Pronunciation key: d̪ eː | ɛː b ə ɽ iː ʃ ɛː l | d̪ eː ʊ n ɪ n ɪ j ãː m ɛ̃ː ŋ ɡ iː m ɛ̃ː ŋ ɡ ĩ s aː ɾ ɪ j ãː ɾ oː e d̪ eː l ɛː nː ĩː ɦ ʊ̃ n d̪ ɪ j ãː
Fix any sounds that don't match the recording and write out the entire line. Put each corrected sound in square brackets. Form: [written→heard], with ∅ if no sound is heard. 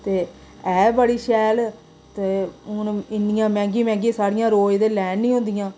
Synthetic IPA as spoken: [d̪→t̪] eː | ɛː b ə ɽ iː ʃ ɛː l | [d̪→t̪] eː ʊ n ɪ n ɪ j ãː m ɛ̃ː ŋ ɡ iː m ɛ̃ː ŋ ɡ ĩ s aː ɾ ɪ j ãː ɾ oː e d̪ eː l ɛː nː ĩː ɦ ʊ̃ n d̪ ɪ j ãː